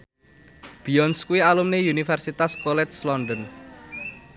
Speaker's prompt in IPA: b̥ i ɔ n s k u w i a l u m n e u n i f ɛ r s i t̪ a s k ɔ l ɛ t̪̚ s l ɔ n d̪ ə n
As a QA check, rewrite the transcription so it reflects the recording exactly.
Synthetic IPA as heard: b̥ i ɔ n s k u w i a l u m n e u n i f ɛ r s i t̪ a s k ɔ l ɛ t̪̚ s l ɔ n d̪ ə n